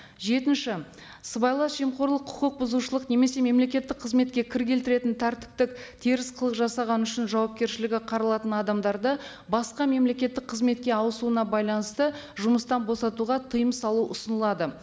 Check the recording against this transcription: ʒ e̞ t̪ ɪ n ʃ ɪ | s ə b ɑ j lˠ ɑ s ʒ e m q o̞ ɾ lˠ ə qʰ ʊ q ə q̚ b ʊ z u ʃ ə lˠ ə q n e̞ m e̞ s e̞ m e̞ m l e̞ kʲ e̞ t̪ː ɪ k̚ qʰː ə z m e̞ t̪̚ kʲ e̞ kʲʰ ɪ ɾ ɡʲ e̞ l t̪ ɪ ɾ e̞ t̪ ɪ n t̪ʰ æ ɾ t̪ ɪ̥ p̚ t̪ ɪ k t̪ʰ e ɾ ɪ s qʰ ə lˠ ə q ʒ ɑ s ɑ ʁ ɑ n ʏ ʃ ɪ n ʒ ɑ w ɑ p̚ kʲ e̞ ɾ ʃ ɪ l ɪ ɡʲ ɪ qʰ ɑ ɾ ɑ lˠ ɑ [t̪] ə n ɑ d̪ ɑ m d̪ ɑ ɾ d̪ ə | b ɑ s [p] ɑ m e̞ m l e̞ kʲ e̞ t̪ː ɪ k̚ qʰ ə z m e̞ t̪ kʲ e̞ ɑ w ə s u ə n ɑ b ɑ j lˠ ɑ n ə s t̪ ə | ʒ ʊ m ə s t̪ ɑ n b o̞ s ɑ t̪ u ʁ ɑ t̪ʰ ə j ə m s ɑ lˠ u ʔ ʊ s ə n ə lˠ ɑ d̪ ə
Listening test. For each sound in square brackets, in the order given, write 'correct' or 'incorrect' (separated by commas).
correct, incorrect